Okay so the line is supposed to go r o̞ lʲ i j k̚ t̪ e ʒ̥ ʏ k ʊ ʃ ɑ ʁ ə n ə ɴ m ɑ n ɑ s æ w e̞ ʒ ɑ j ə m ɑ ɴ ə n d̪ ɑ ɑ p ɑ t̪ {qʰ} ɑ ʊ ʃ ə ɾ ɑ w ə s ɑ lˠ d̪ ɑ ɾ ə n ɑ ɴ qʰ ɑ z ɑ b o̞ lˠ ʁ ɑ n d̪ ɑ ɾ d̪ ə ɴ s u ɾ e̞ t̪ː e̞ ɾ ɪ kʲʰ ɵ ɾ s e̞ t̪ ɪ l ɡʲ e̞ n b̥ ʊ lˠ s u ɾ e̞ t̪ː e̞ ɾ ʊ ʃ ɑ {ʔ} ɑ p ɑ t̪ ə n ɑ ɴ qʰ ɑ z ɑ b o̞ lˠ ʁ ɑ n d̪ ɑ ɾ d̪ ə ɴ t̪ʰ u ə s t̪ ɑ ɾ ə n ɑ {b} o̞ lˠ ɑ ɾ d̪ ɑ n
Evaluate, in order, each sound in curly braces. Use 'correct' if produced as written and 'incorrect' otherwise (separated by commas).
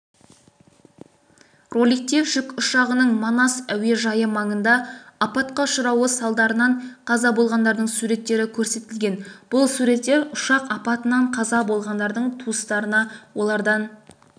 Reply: incorrect, incorrect, incorrect